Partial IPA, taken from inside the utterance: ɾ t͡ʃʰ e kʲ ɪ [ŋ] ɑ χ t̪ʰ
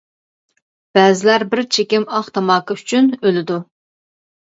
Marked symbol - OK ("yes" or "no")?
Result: no